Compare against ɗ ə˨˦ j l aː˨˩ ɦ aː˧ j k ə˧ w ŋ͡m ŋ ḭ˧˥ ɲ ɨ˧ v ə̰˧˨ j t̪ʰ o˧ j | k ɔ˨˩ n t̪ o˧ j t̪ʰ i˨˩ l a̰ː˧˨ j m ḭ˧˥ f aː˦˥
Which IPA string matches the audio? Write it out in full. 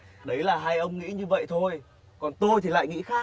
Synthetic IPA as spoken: ɗ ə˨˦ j l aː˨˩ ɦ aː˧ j ʔ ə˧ w ŋ͡m ŋ ḭ˧˥ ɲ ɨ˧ v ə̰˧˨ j t̪ʰ o˧ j | k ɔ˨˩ n t̪ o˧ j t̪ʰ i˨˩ l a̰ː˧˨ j ŋ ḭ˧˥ x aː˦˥